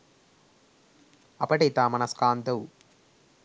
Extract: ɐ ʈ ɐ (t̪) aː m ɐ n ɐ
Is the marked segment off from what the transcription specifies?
no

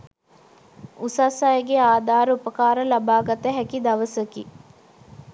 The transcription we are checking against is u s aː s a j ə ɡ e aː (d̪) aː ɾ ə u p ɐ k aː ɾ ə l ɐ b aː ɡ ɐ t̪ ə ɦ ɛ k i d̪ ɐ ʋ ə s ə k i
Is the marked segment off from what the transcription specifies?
no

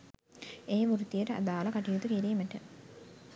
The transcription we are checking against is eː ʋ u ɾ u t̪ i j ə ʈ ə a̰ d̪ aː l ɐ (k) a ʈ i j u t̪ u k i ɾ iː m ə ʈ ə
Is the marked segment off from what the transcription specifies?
no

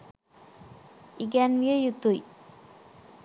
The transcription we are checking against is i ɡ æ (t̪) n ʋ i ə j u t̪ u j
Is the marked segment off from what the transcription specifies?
yes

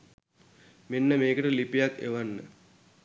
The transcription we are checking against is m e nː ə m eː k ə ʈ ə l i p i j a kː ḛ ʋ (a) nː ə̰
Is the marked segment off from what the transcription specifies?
no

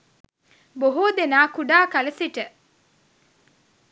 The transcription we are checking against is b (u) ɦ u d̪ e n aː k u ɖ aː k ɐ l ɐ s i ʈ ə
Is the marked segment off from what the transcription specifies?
yes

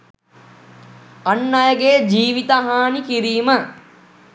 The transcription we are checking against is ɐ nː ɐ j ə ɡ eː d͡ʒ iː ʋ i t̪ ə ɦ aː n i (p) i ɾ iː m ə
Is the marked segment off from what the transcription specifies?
yes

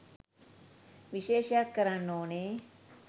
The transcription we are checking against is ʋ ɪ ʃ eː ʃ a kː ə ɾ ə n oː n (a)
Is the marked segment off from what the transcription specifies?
yes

